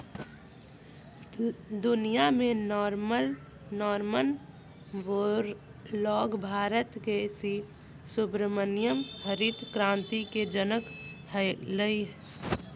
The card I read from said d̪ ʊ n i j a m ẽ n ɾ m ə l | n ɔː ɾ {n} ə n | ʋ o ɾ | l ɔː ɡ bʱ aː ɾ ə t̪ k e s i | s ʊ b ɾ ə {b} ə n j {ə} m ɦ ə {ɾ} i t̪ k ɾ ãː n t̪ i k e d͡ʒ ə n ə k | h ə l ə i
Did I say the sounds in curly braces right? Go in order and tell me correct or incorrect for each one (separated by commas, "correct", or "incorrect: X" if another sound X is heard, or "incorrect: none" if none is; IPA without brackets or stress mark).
incorrect: m, incorrect: m, correct, correct